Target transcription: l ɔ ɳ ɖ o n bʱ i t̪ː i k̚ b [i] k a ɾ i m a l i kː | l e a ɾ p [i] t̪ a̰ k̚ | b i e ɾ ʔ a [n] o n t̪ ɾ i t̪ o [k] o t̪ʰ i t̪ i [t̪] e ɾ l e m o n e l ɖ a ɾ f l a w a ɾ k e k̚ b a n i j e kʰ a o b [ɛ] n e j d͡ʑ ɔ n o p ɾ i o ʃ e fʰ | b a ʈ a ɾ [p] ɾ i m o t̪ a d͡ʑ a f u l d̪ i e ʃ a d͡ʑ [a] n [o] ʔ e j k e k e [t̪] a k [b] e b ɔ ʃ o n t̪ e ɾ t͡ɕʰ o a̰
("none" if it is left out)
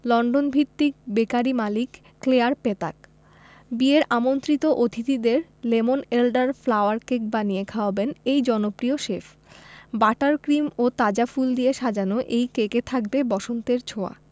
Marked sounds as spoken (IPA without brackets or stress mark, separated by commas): e, e, m, ʔ, d̪, e, k, a, o, t̪ʰ, b